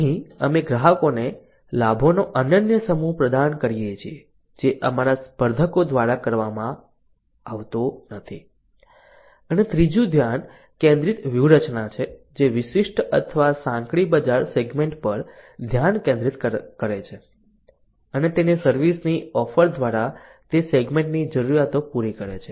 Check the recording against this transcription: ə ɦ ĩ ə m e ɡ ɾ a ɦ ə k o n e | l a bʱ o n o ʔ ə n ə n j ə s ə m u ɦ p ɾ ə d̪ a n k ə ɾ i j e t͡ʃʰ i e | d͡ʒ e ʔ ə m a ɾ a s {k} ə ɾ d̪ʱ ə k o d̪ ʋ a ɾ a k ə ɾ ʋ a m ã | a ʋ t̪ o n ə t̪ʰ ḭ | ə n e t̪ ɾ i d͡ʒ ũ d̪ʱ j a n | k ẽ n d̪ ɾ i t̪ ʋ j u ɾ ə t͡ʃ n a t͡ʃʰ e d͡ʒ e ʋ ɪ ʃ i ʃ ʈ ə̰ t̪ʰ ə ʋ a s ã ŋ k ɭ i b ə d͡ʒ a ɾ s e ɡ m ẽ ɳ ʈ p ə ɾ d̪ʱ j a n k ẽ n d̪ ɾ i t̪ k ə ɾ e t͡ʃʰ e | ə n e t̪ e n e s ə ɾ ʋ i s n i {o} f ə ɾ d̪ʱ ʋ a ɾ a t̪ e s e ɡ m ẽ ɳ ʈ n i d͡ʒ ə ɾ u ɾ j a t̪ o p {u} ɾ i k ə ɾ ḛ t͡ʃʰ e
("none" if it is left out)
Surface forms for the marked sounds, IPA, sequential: p, ɔ, u

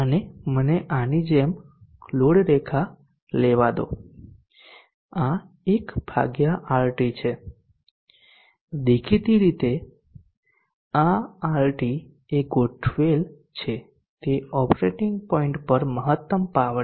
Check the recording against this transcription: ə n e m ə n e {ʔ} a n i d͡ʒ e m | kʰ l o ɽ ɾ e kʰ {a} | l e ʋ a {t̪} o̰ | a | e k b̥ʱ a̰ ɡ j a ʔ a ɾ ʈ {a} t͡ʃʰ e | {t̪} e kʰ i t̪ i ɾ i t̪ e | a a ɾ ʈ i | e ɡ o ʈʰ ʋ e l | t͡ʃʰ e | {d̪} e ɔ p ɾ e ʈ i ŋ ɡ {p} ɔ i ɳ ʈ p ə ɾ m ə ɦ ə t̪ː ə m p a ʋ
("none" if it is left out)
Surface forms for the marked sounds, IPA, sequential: ʔ, a, d̪, i, d̪, t̪, p

